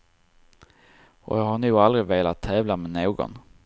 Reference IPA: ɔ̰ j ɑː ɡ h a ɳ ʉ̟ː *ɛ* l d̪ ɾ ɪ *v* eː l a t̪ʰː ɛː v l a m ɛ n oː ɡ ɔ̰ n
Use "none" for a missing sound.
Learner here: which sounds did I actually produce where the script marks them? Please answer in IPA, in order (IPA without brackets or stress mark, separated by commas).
a, v